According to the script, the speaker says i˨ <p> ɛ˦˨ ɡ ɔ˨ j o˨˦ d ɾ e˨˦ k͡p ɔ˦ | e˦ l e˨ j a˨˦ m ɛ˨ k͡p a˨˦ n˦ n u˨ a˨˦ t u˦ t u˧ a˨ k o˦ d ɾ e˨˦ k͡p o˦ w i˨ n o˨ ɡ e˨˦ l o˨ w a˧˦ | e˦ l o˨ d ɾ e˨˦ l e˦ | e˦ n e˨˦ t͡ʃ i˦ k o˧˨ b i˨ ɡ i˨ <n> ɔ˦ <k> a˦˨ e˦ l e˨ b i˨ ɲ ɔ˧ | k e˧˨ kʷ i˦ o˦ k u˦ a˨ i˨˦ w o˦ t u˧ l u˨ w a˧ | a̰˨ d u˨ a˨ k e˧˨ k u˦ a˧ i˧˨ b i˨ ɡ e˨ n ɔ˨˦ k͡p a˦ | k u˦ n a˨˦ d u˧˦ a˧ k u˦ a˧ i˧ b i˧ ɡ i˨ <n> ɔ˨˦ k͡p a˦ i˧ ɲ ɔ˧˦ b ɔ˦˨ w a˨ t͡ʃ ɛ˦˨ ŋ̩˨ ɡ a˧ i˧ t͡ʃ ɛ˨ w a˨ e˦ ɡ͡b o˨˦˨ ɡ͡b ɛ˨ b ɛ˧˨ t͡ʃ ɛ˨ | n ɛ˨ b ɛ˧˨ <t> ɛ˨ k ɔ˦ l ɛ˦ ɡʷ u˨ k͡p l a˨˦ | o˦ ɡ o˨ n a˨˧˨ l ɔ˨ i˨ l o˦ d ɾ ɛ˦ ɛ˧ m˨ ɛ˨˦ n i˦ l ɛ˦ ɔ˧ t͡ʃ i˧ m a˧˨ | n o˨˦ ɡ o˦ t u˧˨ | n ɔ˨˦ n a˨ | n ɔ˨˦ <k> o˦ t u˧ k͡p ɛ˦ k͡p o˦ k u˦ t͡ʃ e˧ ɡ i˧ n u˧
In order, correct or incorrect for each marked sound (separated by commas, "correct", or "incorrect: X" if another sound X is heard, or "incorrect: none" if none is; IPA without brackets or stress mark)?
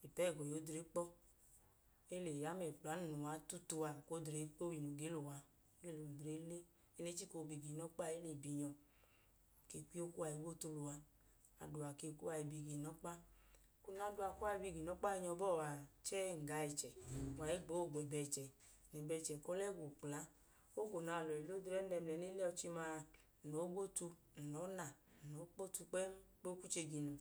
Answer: correct, correct, incorrect: k͡p, correct, incorrect: t͡ʃ, incorrect: k͡p